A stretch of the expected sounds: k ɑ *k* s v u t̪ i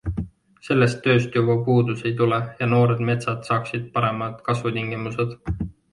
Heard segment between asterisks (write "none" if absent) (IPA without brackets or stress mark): none